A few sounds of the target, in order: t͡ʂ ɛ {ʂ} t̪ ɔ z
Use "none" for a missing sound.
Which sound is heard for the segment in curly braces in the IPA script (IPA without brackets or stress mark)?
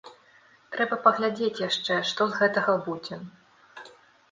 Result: ʂ